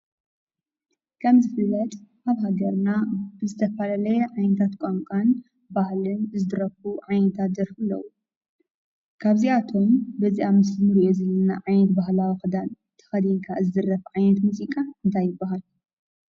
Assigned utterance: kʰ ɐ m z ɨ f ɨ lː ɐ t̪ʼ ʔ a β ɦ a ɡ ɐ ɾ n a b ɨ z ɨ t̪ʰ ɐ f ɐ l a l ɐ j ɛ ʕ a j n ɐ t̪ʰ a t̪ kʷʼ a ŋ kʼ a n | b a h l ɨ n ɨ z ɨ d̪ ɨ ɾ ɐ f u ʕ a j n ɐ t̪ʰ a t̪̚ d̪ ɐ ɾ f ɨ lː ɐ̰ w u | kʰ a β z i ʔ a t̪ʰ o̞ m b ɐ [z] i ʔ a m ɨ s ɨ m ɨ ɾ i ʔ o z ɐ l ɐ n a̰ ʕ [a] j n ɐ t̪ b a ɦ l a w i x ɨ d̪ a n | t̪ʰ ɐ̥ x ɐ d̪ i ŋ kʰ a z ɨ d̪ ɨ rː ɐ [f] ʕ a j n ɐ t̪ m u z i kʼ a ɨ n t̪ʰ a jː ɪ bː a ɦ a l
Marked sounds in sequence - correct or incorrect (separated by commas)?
correct, correct, correct